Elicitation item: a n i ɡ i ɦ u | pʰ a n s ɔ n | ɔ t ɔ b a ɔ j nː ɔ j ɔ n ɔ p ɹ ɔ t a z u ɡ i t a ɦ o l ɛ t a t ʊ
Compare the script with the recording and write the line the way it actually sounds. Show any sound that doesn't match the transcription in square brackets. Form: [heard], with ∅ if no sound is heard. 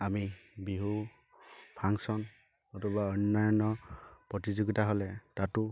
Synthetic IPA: a [m] i [b] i ɦ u | pʰ a [ŋ] s ɔ n | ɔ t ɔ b a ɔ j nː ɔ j ɔ n ɔ p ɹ ɔ t [i] z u ɡ i t a ɦ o l ɛ t a t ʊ